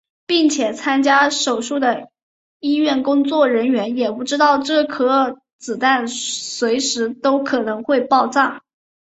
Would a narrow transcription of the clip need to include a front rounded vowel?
no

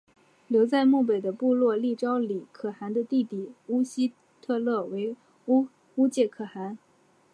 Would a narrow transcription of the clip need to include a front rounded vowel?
no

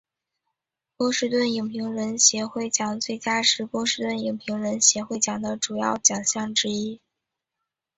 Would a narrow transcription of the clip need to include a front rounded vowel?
no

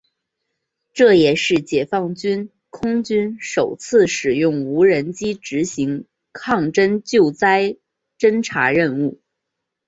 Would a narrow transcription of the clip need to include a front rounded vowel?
yes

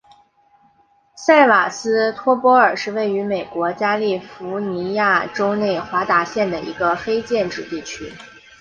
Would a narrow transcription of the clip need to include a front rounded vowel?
yes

